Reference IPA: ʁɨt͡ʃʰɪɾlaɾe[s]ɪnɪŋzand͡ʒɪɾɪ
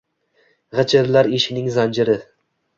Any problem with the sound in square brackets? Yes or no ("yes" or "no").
yes